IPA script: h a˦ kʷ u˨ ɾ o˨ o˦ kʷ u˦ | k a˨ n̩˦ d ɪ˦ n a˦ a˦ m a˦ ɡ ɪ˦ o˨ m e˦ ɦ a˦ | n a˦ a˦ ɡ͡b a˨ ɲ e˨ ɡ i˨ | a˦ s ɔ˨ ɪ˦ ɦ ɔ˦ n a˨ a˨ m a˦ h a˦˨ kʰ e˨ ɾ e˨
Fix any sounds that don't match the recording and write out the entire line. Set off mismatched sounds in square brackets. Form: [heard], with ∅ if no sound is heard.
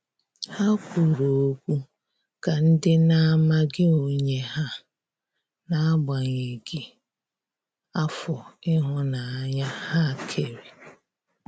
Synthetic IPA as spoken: h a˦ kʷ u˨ ɾ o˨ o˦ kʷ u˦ | k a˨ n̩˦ d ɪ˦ n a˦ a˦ m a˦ ɡ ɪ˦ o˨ [ɲ] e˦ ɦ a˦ | n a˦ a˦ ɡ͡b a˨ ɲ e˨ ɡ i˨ | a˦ [f] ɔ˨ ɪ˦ ɦ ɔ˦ n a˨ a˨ [ɲ] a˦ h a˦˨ kʰ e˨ ɾ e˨